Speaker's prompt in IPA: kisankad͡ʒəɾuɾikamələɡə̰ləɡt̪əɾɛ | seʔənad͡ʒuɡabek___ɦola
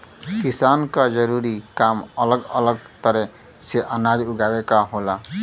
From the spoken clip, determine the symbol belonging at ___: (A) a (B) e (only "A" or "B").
A